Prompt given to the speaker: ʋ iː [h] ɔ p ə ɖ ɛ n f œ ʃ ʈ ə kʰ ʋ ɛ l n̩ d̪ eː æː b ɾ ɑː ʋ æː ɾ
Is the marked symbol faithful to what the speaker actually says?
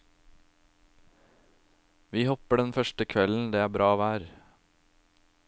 yes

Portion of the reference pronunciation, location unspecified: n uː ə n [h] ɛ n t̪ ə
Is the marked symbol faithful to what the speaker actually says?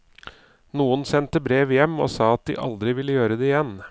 no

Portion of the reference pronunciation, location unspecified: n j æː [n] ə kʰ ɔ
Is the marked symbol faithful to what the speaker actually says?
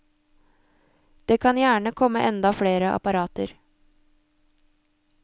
no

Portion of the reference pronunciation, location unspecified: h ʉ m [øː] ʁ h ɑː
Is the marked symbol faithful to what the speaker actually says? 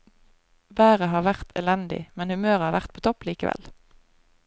yes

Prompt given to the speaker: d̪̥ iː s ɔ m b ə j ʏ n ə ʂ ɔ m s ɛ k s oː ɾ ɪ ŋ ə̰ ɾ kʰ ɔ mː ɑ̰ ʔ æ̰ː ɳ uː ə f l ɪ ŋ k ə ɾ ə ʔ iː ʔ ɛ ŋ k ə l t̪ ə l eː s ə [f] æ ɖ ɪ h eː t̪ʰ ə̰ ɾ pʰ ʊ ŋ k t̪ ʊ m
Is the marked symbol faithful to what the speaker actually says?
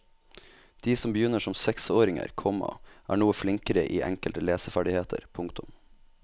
yes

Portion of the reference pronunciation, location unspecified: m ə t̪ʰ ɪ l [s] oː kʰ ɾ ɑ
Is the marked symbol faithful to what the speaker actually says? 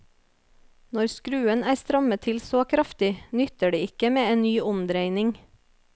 yes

